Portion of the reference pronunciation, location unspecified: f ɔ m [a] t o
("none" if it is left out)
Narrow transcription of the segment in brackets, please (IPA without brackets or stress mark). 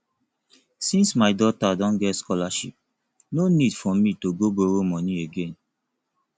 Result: i